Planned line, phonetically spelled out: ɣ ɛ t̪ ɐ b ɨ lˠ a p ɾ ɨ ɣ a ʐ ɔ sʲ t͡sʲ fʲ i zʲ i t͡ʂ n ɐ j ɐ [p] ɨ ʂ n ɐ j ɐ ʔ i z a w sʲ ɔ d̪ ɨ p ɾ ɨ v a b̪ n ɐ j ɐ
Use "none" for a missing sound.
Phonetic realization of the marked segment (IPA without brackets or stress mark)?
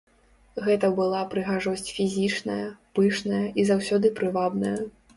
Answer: p